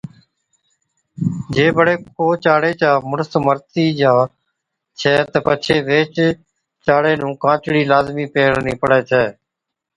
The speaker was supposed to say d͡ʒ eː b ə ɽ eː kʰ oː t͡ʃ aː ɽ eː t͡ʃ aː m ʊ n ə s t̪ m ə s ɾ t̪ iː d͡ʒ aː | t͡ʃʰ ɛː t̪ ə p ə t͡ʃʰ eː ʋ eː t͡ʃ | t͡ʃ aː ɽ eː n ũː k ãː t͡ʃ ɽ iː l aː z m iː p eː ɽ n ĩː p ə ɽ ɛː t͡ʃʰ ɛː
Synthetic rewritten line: d͡ʒ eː b ə ɽ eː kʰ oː t͡ʃ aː ɽ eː t͡ʃ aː m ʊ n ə s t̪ m ə ɾ t̪ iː d͡ʒ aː | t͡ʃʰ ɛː t̪ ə p ə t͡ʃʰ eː ʋ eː t͡ʃ | t͡ʃ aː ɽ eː n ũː k ãː t͡ʃ ɽ iː l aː z m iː p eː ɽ n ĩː p ə ɽ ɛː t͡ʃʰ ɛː

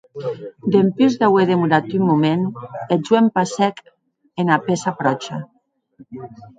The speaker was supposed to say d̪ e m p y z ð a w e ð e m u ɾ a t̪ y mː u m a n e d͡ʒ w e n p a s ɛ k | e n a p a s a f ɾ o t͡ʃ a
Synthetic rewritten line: d̪ e m p y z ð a w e ð e m u ɾ a t̪ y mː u m e n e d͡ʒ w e m p a s ɛ k | e n a p e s a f ɾ ɔ t͡ʃ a

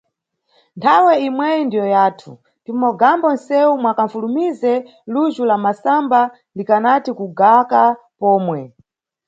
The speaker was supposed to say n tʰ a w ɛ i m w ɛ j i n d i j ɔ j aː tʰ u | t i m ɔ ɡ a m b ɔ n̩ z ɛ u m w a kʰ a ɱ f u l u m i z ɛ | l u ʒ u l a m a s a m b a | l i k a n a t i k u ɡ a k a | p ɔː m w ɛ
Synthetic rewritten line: n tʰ a w ɛ i m w ɛ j i n d i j ɔ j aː tʰ u | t i m ɔ ɡ a m b ɔ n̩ s ɛ u m w a k a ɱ f u l u m i z ɛ | l u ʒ u l a m a s a m b a | l i k a n a t i k u ɡ a k a | p ɔː m w ɛ

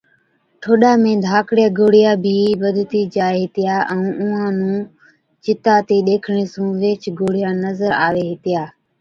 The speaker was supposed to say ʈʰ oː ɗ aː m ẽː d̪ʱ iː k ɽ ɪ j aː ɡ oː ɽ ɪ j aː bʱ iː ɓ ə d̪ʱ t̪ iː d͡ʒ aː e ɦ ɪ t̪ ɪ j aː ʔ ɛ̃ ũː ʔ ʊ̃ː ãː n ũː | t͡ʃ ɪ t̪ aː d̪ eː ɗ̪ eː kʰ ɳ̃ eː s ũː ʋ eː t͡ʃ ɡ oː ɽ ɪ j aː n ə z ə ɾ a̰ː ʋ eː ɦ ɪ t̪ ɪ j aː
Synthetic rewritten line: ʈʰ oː ɗ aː m ẽː d̪ʱ aː k ɽ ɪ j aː ɡ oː ɽ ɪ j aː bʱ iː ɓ ə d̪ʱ t̪ iː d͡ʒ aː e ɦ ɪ t̪ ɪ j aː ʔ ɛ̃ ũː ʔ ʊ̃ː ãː n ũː | t͡ʃ ɪ t̪ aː t̪ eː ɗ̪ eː kʰ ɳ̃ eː s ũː ʋ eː t͡ʃ ɡ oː ɽ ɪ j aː n ə z ə ɾ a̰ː ʋ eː ɦ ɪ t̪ ɪ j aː

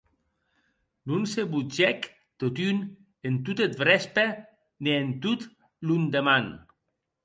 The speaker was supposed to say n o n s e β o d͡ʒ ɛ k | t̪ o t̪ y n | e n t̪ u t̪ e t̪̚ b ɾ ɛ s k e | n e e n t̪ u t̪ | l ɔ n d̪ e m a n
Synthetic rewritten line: n u n s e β u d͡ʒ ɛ k | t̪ o t̪ y n | e n t̪ u t̪ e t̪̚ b ɾ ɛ s p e | n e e n t̪ u t̪ | l u n d̪ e m a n

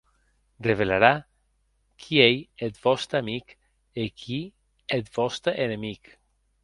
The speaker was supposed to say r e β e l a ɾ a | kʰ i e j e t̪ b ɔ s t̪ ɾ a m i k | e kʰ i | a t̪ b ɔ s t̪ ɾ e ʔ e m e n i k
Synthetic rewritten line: r e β e l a ɾ a | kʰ i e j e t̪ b ɔ s t̪ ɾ a m i k | e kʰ i | e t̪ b ɔ s t̪ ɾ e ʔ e n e m i k

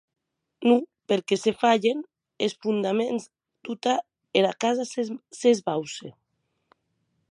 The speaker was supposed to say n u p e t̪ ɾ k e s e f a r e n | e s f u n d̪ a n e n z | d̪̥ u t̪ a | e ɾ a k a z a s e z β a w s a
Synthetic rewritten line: n u p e ɾ k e s e f a ʎ e n | e s f u n d̪ a m e n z | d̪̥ u t̪ a | e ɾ a k a z a s e z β a w s e

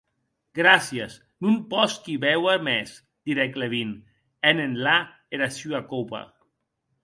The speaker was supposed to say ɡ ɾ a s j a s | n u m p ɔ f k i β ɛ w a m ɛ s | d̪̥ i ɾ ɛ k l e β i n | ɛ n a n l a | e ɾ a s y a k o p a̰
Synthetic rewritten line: ɡ ɾ a s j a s | n u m p ɔ s k i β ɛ w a m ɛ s | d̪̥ i ɾ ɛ k l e β i n | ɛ n e n l a | e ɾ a s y a k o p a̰

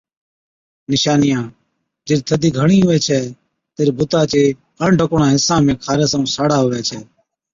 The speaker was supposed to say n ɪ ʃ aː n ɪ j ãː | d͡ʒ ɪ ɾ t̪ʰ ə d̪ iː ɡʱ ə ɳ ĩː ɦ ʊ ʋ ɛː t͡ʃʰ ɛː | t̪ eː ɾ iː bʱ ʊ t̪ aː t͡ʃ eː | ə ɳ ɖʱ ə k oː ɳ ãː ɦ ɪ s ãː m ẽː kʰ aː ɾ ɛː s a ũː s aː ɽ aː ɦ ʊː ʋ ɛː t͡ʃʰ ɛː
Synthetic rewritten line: n ɪ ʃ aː n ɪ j ãː | d͡ʒ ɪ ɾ t̪ʰ ə d̪ iː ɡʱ ə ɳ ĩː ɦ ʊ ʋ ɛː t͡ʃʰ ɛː | t̪ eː ɾ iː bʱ ʊ t̪ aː t͡ʃ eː | ə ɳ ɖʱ ə k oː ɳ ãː ɦ ɪ s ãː m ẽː kʰ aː ɾ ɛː s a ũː s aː ɽ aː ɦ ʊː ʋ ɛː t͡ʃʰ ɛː

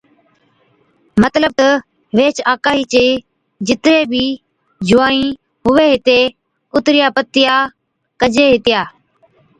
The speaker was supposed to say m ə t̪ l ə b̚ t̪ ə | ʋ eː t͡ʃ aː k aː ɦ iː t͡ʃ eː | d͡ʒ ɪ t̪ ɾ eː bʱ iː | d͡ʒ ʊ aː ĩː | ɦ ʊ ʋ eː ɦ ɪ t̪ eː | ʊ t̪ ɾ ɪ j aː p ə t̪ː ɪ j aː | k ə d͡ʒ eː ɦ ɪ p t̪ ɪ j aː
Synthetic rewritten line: m ə t̪ l ə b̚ t̪ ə | ʋ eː t͡ʃ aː k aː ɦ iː t͡ʃ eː | d͡ʒ ɪ t̪ ɾ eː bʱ iː | d͡ʒ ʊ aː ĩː | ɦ ʊ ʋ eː ɦ ɪ t̪ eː | ʊ t̪ ɾ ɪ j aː p ə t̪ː ɪ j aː | k ə d͡ʒ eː ɦ ɪ t̪ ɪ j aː

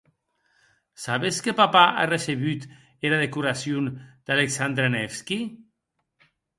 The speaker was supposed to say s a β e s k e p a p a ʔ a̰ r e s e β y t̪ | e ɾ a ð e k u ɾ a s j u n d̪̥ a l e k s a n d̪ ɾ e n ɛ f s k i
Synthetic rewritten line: s a β e s k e p a p a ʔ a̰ r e s e β y t̪ | e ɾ a ð e k u ɾ a s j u n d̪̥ a l e k s a n d̪ ɾ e n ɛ f s k i

